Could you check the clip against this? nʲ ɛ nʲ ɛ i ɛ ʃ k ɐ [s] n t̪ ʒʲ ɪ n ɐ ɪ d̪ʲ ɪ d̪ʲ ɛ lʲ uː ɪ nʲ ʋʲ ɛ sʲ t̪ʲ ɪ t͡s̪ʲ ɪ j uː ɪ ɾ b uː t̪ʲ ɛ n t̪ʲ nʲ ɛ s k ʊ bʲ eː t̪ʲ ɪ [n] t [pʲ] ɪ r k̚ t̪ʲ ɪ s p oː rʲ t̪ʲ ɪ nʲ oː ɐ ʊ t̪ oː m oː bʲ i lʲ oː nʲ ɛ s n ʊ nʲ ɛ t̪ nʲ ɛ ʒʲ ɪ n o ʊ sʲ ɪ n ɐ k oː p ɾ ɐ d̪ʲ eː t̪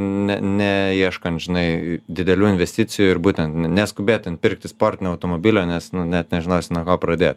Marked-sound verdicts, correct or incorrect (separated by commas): incorrect, correct, correct